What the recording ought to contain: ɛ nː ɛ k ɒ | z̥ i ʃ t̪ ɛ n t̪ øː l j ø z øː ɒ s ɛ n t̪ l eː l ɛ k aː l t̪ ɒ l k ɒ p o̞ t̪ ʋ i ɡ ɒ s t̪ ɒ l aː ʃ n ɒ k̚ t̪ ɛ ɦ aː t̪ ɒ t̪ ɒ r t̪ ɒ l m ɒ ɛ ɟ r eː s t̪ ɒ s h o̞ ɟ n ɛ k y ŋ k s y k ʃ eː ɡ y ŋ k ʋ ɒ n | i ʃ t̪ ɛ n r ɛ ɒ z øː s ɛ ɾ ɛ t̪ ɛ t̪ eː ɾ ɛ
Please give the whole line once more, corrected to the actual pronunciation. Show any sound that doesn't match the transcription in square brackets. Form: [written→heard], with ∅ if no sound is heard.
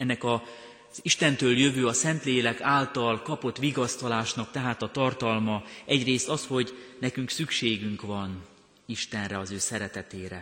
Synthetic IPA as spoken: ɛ nː ɛ k ɒ | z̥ i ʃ t̪ ɛ n t̪ øː l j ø [z→v] øː ɒ s ɛ n t̪ l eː l ɛ k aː l t̪ ɒ l k ɒ p o̞ t̪ ʋ i ɡ ɒ s t̪ ɒ l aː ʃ n ɒ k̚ t̪ ɛ ɦ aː t̪ ɒ t̪ ɒ r t̪ ɒ l m ɒ ɛ ɟ r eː s t̪ ɒ s h o̞ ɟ n ɛ k y ŋ k s y k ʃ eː ɡ y ŋ k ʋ ɒ n | i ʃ t̪ ɛ n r ɛ ɒ z øː s ɛ ɾ ɛ t̪ ɛ t̪ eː ɾ ɛ